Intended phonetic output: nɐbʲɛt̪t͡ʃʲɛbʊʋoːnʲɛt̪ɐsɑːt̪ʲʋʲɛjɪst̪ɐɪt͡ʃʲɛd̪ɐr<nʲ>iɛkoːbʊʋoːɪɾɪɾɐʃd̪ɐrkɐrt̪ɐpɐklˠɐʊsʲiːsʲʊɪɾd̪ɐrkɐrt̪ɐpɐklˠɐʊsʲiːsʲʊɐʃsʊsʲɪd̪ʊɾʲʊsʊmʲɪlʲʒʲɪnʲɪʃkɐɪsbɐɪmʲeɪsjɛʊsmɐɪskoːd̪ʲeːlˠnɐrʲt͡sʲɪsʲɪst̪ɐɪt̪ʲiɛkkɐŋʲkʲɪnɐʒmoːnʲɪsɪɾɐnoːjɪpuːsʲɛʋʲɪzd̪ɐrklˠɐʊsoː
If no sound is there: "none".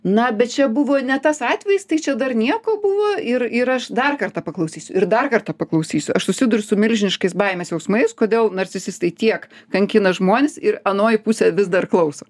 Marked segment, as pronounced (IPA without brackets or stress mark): nʲ